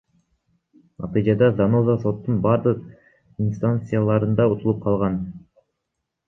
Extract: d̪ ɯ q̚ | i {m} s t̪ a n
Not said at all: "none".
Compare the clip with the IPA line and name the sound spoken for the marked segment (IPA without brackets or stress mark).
n